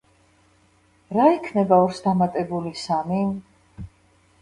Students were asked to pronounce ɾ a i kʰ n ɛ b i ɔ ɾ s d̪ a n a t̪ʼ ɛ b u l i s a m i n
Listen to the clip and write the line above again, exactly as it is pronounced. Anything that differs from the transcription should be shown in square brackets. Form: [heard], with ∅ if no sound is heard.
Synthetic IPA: ɾ a i kʰ n ɛ b [a] ɔ ɾ s d̪ a [m] a t̪ʼ ɛ b u l i s a m i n